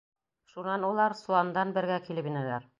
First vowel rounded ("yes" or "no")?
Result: yes